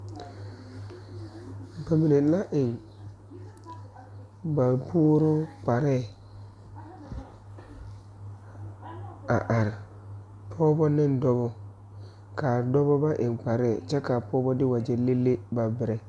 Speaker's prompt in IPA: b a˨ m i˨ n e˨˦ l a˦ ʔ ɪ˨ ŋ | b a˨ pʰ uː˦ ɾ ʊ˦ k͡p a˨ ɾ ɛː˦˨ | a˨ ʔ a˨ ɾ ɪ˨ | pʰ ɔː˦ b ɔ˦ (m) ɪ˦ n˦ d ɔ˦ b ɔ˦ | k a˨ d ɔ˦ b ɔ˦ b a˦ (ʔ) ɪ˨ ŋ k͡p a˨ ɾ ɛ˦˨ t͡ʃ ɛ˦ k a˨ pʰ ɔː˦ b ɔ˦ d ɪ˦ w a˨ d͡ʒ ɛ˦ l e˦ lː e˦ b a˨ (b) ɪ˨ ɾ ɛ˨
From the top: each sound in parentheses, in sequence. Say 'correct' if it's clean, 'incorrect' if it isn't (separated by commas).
incorrect, correct, correct